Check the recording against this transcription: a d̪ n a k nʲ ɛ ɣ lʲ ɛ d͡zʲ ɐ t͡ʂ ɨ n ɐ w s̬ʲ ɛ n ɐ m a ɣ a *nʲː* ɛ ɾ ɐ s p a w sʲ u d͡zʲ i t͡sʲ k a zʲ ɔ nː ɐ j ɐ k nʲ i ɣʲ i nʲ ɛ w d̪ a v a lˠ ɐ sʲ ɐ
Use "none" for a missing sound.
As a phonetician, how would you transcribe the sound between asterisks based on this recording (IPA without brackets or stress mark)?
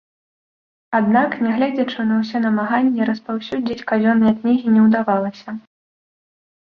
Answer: nʲː